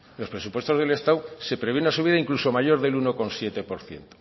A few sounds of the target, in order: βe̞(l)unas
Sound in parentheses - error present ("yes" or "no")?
yes